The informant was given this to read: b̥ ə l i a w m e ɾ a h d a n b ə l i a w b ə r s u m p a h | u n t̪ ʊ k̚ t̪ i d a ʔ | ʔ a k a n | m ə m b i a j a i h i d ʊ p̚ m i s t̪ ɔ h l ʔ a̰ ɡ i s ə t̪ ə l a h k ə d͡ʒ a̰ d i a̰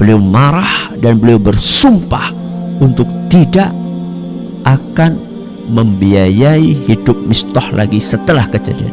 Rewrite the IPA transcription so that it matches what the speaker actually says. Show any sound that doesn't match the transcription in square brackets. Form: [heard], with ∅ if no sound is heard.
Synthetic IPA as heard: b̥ ə l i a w m [a] ɾ a h d a n b ə l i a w b ə r s u m p a h | u n t̪ ʊ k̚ t̪ i d a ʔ | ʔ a k a n | m ə m b i a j a i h i d ʊ p̚ m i s t̪ ɔ h l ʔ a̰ ɡ i s ə t̪ ə l a h k ə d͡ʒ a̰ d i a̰